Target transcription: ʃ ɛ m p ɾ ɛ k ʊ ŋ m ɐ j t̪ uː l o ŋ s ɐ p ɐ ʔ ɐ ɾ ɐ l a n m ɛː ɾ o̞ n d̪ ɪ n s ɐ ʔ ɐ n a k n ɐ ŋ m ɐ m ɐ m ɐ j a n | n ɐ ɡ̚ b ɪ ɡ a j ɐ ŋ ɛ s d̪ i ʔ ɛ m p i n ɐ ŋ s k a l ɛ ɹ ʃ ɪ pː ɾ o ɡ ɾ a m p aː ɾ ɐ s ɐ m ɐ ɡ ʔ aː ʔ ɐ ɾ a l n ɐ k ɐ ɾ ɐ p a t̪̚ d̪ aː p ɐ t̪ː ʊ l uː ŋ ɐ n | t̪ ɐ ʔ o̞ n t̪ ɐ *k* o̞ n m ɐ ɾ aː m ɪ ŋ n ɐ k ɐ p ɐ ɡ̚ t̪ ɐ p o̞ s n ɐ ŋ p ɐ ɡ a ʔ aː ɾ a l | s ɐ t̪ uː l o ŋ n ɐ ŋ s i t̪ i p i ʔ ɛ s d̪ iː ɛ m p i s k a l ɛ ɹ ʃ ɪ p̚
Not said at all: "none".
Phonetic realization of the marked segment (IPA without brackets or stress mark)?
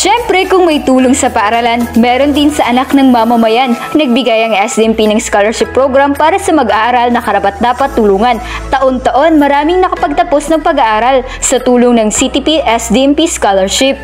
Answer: ʔ